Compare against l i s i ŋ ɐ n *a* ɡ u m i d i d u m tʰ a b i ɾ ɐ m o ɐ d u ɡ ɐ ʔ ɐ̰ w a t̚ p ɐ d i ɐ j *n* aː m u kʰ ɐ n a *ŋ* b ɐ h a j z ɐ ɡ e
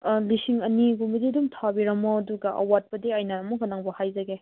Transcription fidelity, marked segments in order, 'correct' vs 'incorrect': incorrect: i, correct, correct

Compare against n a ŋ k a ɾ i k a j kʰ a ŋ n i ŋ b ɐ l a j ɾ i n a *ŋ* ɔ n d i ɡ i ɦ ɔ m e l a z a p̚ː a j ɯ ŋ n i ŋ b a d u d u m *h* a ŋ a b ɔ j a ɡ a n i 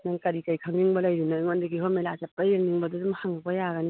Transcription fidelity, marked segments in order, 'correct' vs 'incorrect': correct, correct

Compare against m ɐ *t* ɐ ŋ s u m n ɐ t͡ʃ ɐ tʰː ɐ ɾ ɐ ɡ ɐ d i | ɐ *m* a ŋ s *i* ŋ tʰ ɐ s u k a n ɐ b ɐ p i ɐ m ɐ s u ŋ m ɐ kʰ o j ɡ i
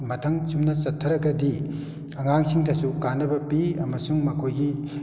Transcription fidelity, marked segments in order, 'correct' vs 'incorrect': incorrect: tʰ, incorrect: ŋ, correct

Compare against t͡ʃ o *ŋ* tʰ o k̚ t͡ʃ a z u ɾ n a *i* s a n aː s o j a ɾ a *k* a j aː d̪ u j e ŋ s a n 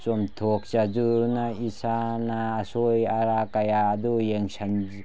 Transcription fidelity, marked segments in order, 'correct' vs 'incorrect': incorrect: m, correct, correct

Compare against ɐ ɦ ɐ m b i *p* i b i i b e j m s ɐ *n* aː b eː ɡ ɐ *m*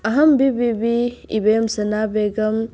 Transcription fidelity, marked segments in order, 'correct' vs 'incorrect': incorrect: b, correct, correct

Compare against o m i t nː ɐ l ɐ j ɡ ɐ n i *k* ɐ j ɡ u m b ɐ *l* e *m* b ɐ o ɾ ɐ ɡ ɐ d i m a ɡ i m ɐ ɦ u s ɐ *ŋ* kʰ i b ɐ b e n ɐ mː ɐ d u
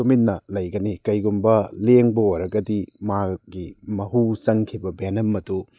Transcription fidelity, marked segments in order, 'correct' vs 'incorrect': correct, correct, incorrect: ŋ, correct

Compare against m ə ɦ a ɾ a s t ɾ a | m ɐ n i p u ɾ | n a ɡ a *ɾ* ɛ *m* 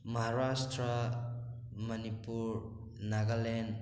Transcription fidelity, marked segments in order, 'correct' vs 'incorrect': incorrect: l, incorrect: n

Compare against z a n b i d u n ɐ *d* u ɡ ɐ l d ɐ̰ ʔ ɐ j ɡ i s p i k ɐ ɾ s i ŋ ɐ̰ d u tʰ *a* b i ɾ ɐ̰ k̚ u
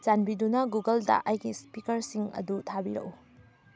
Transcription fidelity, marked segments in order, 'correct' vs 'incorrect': incorrect: ɡ, correct

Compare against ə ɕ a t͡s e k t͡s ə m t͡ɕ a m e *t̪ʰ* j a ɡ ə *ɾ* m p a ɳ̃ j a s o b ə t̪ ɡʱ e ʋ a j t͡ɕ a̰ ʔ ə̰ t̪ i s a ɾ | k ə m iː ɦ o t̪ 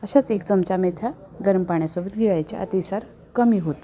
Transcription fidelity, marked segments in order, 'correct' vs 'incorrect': correct, correct

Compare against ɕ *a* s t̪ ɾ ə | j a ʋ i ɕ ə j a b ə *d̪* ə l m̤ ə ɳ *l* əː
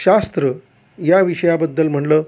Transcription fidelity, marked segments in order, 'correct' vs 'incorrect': correct, incorrect: d̪ː, correct

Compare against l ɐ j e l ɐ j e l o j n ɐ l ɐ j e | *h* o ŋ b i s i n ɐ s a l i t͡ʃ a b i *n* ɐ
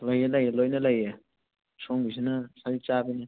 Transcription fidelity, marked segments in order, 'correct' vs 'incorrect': incorrect: s, correct

